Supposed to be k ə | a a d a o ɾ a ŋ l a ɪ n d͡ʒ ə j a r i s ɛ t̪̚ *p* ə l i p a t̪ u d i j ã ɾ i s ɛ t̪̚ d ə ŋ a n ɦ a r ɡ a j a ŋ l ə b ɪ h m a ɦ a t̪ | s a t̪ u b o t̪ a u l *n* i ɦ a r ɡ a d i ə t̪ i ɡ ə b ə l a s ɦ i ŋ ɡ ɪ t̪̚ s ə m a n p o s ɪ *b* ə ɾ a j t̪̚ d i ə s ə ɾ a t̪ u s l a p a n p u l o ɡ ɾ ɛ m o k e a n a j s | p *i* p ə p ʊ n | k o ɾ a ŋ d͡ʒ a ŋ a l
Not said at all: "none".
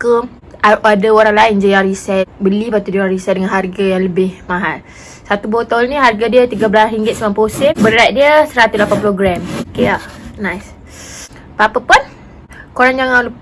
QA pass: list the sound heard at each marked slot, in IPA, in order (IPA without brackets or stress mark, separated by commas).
b, n, b, a